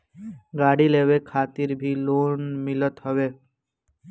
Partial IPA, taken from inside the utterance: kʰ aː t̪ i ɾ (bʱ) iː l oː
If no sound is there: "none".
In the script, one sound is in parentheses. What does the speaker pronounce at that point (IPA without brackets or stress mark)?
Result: bʱ